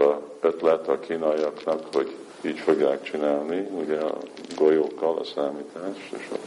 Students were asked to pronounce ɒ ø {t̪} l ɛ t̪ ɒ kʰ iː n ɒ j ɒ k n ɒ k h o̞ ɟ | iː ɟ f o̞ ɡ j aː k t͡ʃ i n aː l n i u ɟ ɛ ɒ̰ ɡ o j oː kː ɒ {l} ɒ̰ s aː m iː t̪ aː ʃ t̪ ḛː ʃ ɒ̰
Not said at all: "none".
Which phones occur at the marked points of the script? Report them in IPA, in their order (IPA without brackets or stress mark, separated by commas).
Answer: t̪, l